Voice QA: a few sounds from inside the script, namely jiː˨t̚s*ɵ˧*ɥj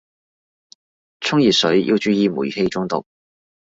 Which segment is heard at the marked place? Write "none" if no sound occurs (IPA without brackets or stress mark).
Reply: ɵ˨˥